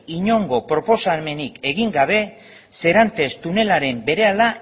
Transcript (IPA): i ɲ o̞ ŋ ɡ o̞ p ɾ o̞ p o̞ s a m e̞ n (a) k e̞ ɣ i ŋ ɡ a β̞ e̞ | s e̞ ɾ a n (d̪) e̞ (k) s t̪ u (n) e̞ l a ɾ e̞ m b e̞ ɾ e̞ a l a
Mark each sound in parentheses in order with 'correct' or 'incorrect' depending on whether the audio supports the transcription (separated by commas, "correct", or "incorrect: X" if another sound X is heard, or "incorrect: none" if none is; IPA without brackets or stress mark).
incorrect: i, incorrect: t̪, incorrect: none, correct